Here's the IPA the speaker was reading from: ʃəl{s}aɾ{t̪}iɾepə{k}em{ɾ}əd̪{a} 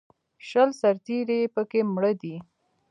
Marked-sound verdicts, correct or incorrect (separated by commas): correct, correct, correct, incorrect, incorrect